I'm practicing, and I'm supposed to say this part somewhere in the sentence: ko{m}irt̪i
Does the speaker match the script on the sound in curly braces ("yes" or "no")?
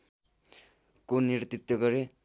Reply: no